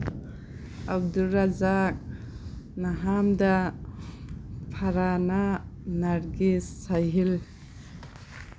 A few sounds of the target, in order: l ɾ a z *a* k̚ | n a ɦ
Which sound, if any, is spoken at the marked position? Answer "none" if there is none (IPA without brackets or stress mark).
a